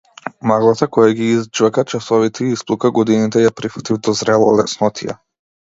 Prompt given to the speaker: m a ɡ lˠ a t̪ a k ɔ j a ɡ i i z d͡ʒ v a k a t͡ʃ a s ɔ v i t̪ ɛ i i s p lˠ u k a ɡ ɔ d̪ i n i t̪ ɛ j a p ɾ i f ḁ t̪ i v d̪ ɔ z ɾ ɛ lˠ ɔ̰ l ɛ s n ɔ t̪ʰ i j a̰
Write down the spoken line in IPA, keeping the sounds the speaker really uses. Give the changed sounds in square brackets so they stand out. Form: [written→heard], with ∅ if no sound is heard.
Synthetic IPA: m a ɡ lˠ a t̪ a k ɔ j a ɡ i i z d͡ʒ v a k a t͡ʃ a s ɔ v i t̪ ɛ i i s p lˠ u k a ɡ ɔ d̪ i n i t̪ ɛ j a p ɾ i f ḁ t̪ i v d̪ ɔ z ɾ ɛ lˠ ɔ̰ l ɛ s n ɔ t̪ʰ i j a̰